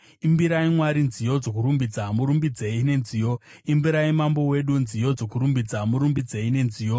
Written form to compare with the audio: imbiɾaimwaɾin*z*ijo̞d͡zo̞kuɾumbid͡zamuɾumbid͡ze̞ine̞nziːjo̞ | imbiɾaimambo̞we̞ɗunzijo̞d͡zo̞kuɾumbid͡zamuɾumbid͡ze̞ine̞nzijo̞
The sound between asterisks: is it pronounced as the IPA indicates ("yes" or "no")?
yes